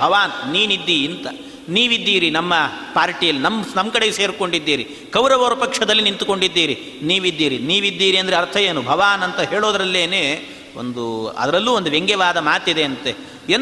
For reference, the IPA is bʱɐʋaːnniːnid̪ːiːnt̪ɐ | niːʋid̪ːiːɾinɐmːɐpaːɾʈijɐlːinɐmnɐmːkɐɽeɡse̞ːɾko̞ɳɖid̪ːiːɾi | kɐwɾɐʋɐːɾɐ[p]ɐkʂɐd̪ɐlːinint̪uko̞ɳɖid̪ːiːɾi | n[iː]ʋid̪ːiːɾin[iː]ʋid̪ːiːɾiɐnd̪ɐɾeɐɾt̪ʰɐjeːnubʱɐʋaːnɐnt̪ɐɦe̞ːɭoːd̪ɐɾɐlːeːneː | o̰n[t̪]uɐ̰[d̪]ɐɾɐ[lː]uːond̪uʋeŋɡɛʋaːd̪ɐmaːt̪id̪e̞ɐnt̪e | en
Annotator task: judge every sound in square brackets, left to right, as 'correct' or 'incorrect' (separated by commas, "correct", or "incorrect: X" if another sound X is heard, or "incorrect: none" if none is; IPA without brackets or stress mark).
correct, correct, correct, incorrect: d̪, correct, correct